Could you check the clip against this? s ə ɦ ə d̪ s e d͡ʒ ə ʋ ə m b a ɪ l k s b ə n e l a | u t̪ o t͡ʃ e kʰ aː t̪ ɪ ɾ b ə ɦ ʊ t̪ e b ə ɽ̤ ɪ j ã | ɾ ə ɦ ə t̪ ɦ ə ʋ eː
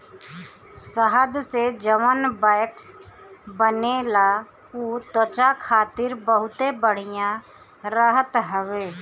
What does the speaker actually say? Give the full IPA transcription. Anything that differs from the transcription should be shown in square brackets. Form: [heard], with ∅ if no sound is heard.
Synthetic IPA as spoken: s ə ɦ ə d̪ s e d͡ʒ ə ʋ ə [n] b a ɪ [∅] k s b ə n e l a | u t̪ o t͡ʃ [a] kʰ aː t̪ ɪ ɾ b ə ɦ ʊ t̪ e b ə ɽ̤ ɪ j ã | ɾ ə ɦ ə t̪ ɦ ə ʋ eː